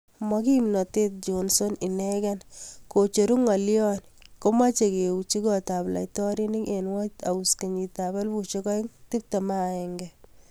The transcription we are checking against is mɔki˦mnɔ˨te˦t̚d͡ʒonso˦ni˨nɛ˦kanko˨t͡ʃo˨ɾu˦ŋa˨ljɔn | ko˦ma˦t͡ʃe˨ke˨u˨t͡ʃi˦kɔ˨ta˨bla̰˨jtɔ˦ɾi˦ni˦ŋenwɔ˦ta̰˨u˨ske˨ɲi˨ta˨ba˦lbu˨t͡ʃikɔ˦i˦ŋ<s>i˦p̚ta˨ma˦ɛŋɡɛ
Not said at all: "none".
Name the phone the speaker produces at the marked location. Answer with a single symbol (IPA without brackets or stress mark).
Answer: t